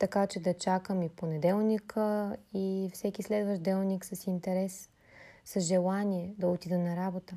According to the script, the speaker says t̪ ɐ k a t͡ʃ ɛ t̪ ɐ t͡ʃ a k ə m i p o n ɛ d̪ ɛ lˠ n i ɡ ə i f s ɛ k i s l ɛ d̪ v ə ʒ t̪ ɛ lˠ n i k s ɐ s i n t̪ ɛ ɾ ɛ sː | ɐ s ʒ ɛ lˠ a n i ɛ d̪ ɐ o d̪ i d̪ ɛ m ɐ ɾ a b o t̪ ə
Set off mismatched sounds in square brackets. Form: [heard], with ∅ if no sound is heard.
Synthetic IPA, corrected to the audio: t̪ ɐ k a t͡ʃ ɛ [d̪] ɐ t͡ʃ a k ə m i p o n ɛ d̪ ɛ lˠ n i [k] ə i f s ɛ k i s l ɛ d̪ v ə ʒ [d̪] ɛ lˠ n i k s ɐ s i n t̪ ɛ ɾ ɛ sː | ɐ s ʒ ɛ lˠ a n i ɛ d̪ ɐ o [t̪] i d̪ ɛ [n] ɐ ɾ a b o t̪ ə